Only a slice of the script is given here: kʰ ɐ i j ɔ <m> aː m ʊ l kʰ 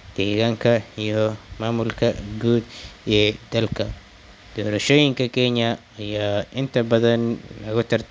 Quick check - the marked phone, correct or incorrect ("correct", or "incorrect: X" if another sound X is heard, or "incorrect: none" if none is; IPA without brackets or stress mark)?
correct